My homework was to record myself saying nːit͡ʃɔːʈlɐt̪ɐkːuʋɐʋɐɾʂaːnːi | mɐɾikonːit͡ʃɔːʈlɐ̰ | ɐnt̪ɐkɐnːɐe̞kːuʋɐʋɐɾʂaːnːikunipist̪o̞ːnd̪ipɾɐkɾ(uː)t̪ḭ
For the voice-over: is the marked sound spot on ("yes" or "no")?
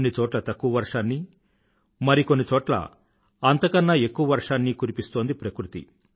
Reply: no